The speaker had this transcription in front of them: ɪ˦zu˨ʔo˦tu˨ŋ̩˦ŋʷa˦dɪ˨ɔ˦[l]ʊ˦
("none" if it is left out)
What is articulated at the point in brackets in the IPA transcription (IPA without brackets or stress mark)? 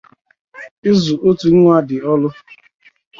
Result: l